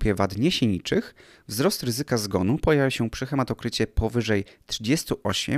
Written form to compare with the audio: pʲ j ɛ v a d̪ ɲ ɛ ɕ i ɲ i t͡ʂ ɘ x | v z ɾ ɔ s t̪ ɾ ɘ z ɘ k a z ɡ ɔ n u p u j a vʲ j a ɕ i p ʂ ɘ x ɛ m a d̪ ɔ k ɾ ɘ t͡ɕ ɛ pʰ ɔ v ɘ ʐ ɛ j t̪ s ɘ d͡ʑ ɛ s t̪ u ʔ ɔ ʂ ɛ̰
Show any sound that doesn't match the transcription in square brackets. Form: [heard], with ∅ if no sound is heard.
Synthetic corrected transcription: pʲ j ɛ v a d̪ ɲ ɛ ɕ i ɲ i t͡ʂ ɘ x | v z ɾ ɔ s t̪ ɾ ɘ z ɘ k a z ɡ ɔ n u p [ɔ] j a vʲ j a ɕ [ɛ] p ʂ ɘ x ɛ m a [t̪] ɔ k ɾ ɘ t͡ɕ ɛ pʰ ɔ v ɘ ʐ ɛ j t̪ [ʂ] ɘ d͡ʑ ɛ s t̪ u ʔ ɔ [ɕ] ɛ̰